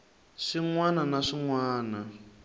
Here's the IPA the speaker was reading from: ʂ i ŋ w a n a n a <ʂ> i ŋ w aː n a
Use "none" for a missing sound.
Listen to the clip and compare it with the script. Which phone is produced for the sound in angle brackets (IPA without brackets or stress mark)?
ʂ